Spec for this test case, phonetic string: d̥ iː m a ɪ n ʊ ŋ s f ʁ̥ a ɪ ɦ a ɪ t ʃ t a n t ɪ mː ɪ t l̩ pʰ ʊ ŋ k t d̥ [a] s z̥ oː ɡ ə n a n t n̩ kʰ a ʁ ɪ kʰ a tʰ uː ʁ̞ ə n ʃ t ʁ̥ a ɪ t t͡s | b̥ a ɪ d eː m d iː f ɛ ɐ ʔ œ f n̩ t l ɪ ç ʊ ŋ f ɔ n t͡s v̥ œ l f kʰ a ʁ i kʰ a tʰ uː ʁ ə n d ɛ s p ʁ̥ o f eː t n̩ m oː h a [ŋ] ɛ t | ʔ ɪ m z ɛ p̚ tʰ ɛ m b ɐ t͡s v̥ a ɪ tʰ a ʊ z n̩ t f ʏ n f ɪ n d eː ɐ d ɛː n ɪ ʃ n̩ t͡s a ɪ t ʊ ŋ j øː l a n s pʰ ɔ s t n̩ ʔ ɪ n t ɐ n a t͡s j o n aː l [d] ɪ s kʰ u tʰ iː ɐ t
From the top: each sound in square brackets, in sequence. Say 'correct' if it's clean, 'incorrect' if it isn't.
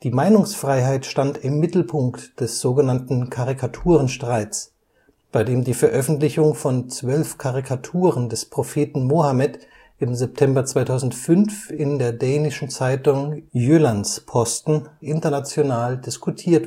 incorrect: ɛ, incorrect: m, correct

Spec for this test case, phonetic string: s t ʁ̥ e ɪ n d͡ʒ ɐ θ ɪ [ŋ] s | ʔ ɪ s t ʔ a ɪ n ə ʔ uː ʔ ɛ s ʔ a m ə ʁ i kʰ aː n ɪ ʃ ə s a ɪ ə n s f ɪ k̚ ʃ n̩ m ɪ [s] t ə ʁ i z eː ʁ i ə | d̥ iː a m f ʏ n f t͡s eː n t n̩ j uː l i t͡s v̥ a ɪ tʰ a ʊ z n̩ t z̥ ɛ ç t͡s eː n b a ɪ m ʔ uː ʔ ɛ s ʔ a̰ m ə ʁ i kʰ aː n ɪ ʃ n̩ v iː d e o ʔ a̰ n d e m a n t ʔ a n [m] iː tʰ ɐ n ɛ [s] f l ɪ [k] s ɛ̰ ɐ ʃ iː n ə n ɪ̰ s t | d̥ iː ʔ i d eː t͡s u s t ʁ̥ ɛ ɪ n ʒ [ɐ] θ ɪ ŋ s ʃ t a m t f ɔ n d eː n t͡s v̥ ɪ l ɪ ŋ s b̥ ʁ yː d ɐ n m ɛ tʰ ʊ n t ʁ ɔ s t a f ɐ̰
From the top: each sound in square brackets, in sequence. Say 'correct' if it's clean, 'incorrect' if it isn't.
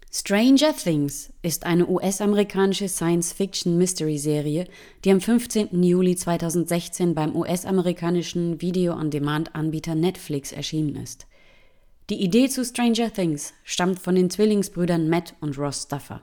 correct, correct, incorrect: b, incorrect: t, correct, correct

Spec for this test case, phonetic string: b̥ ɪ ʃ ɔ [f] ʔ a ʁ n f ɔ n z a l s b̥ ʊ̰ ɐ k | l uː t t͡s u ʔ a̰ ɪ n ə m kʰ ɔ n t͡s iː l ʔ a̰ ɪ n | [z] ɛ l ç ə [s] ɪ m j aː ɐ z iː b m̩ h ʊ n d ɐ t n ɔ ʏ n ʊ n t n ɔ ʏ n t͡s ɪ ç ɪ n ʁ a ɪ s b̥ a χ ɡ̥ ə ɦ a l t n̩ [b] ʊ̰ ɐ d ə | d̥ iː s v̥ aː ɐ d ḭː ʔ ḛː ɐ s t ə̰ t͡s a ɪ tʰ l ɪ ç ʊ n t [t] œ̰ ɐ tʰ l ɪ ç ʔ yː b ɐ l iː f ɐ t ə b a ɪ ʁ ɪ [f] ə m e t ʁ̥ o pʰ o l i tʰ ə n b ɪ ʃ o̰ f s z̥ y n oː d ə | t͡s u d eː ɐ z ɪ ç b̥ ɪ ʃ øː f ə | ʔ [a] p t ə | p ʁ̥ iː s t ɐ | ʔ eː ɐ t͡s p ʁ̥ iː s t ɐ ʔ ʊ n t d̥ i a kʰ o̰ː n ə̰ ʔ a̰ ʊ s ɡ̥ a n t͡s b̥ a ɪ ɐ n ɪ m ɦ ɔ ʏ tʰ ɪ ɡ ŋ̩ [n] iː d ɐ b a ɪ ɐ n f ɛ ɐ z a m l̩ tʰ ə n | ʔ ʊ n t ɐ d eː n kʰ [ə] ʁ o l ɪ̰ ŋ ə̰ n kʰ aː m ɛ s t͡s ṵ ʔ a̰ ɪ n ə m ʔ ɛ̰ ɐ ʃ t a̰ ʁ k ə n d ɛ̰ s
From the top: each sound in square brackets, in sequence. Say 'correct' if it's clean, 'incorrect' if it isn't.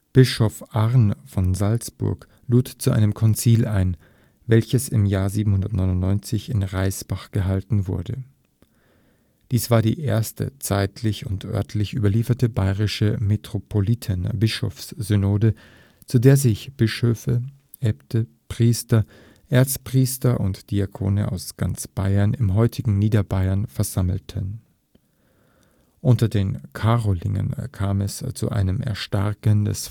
correct, incorrect: v, correct, incorrect: v, incorrect: ʔ, incorrect: ʃ, incorrect: ɛ, correct, incorrect: a

